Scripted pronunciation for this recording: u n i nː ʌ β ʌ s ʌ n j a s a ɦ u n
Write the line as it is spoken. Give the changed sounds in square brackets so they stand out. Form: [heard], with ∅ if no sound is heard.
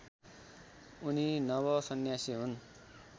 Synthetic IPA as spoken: u n i [n] ʌ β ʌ s ʌ n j a s [i] ɦ u n